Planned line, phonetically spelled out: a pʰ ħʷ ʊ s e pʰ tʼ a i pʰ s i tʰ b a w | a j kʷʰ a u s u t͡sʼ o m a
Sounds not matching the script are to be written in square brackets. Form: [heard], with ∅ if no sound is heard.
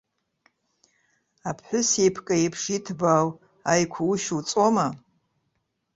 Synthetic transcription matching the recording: a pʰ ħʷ ʊ s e pʰ [kʼ] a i pʰ [ʂ] i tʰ b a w | a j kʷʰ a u [ʃ] u t͡sʼ o m a